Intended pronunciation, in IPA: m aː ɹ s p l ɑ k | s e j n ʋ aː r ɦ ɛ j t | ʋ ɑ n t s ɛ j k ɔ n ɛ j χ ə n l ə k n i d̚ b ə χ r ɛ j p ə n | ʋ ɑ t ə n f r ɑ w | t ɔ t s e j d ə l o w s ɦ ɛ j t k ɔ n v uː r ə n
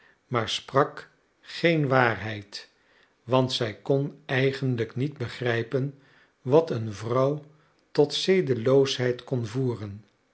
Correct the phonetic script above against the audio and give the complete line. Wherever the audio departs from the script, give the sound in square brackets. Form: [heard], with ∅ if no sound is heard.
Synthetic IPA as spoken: m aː ɹ s p [r] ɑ k | [χ] e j n ʋ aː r ɦ ɛ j t | ʋ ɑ n t s ɛ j k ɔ n ɛ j χ ə n l ə k n i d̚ b ə χ r ɛ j p ə n | ʋ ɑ t ə n [v] r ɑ w | t ɔ t s e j d ə l o w s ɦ ɛ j t k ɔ n v uː r ə n